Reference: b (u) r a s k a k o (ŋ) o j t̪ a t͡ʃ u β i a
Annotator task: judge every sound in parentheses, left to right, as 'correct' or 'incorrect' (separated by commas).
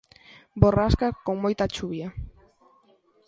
incorrect, incorrect